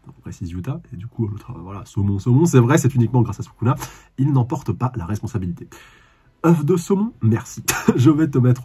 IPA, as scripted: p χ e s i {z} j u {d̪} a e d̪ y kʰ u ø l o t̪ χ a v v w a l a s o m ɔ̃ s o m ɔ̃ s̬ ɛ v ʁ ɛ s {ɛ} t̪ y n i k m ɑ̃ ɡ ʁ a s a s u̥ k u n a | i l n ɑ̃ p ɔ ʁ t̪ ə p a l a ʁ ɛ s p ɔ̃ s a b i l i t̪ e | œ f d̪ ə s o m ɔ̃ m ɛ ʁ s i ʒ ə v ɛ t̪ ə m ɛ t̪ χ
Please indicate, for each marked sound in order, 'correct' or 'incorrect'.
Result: correct, incorrect, correct

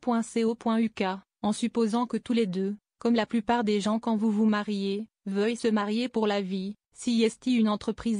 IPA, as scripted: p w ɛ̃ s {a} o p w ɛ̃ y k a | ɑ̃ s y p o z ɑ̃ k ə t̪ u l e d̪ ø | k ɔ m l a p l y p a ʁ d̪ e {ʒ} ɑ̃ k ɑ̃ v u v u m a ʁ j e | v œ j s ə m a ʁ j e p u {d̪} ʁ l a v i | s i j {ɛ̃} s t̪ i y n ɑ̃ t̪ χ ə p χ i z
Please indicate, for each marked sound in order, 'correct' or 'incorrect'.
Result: incorrect, correct, incorrect, incorrect

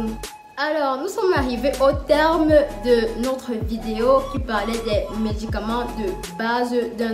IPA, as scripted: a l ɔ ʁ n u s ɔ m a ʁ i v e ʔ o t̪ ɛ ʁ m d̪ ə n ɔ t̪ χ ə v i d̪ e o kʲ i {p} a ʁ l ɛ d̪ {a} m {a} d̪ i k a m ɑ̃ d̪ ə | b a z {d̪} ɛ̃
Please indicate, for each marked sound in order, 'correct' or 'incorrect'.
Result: correct, incorrect, incorrect, correct

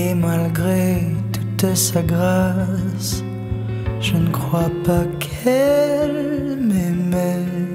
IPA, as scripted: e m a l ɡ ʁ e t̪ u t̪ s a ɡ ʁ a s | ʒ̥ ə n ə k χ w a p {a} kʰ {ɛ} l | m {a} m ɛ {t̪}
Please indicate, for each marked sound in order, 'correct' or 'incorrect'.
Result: correct, correct, incorrect, incorrect

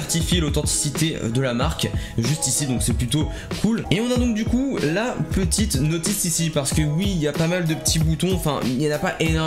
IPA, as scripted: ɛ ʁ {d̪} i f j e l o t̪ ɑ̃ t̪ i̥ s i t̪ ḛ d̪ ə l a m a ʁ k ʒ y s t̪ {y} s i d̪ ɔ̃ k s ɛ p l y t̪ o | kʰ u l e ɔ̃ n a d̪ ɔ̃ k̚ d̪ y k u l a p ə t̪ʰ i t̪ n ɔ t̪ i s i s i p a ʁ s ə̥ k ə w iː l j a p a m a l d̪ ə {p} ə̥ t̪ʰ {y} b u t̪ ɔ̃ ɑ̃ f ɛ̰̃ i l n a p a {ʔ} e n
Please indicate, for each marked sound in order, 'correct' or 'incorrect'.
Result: incorrect, incorrect, correct, incorrect, correct

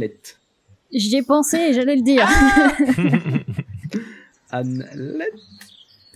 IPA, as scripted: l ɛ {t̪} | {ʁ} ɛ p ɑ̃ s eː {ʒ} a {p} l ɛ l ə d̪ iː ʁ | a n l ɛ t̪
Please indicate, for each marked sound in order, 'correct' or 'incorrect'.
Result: correct, incorrect, correct, incorrect

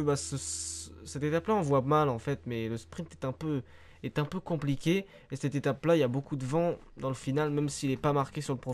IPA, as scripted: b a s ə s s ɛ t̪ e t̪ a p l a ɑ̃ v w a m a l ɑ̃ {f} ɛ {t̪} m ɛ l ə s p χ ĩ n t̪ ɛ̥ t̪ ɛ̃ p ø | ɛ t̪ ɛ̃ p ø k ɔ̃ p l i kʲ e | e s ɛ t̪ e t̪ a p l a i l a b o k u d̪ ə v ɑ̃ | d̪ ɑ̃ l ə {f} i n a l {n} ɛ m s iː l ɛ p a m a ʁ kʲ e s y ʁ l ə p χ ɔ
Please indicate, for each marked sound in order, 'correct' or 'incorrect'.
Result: correct, correct, correct, incorrect

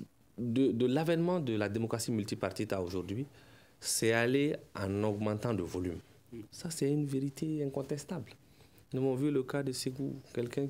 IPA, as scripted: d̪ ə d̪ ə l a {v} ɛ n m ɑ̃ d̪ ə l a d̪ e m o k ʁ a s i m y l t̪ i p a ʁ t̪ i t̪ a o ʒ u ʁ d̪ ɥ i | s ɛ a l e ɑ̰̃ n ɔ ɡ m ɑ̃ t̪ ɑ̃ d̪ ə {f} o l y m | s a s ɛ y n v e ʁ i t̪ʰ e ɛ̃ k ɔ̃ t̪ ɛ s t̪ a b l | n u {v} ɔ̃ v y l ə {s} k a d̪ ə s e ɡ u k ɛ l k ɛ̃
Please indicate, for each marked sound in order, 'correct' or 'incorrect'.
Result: correct, incorrect, correct, incorrect

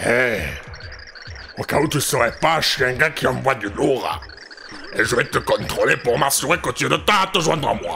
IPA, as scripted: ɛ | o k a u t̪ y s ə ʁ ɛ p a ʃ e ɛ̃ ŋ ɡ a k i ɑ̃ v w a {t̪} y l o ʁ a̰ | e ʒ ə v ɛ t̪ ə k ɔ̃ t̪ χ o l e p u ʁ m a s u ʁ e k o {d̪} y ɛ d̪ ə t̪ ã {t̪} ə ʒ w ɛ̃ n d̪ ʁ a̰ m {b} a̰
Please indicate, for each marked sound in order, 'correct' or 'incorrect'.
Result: incorrect, incorrect, correct, incorrect

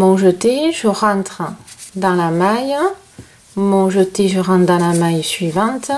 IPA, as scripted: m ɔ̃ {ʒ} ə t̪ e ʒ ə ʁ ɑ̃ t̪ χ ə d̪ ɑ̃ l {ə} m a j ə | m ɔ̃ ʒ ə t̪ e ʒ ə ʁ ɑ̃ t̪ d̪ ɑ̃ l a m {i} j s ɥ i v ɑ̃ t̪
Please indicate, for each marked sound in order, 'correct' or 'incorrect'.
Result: correct, incorrect, incorrect

